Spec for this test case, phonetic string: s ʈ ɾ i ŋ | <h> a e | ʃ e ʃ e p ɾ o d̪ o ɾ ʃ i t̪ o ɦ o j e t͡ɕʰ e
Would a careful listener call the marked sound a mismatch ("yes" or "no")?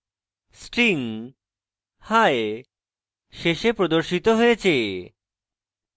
no